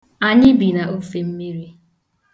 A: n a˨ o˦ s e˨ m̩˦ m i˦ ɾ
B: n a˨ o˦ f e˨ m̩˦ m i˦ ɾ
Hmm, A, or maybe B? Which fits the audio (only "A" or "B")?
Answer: B